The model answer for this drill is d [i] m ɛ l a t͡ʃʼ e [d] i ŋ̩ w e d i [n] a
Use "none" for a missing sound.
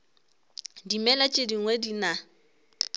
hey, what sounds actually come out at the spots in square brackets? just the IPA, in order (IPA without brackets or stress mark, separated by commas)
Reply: i, d, n